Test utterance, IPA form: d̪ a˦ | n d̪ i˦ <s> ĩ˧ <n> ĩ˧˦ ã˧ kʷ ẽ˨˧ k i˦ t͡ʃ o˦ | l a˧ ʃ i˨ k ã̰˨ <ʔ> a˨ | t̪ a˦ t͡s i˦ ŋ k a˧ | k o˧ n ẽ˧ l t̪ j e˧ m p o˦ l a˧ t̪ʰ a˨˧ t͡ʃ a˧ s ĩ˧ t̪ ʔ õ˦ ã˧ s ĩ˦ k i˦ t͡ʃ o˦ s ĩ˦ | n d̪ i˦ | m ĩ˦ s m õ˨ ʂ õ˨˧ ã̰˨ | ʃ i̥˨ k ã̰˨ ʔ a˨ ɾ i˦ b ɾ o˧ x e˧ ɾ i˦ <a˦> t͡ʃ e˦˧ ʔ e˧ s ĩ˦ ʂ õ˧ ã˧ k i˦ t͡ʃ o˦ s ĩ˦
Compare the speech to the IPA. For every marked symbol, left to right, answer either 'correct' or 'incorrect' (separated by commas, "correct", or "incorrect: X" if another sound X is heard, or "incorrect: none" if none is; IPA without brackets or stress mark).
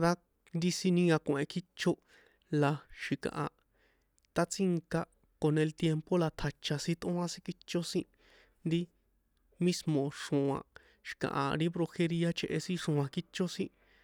correct, correct, correct, correct